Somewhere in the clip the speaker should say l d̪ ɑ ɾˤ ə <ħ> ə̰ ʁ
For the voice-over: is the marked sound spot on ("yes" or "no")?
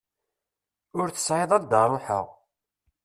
yes